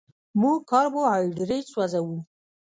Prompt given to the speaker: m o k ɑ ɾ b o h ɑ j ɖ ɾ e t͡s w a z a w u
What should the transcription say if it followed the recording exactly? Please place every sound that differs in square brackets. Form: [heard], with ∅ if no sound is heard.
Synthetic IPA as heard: m [u] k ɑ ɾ b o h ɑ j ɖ ɾ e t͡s w a z a w u